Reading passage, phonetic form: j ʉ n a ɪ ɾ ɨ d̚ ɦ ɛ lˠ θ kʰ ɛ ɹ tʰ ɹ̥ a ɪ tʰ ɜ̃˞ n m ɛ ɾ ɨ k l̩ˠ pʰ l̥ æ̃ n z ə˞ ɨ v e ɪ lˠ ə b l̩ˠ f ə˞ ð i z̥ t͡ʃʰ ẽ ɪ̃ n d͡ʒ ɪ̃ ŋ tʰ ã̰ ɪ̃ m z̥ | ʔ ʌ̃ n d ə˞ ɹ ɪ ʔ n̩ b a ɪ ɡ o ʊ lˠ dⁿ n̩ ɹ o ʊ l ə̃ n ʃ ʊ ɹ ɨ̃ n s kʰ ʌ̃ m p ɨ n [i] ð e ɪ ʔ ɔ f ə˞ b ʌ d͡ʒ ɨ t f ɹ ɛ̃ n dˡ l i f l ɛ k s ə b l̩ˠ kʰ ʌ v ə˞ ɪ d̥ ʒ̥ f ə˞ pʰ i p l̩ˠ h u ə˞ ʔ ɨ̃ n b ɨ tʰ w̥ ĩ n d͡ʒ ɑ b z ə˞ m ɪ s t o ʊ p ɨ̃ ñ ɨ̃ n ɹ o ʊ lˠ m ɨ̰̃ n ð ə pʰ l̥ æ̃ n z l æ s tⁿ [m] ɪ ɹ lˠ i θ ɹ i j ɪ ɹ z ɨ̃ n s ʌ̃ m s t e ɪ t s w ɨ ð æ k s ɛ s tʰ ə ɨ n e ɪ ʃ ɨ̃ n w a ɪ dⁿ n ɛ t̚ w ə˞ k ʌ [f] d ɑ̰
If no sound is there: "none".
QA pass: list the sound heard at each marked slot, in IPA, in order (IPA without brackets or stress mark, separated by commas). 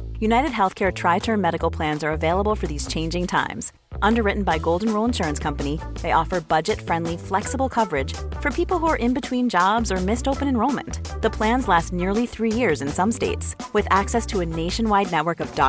i, n, v